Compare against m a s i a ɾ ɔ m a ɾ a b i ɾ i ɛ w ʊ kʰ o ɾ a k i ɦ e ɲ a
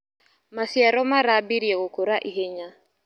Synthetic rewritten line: m a s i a ɾ ɔ m a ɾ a b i ɾ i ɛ ɣ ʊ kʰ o ɾ a ʔ i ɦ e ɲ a